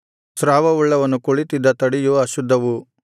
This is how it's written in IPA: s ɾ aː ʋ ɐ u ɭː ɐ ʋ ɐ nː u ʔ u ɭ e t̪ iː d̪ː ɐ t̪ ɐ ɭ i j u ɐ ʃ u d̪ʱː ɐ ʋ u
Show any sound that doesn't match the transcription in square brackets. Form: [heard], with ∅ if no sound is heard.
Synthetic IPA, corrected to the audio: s ɾ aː ʋ ɐ u ɭː ɐ ʋ ɐ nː u [k] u ɭ [i] t̪ [i] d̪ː ɐ t̪ ɐ [ɽ] i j u ɐ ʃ u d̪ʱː ɐ ʋ u